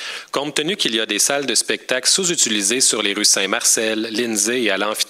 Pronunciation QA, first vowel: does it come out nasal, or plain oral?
nasal